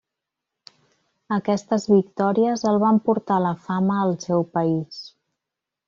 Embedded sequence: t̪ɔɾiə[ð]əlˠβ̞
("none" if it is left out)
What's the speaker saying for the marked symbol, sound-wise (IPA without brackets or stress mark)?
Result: z